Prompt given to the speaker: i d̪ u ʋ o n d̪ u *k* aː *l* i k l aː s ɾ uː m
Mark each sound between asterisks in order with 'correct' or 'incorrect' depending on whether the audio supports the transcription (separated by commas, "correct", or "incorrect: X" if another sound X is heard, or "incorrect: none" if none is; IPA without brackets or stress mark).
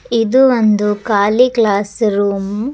correct, correct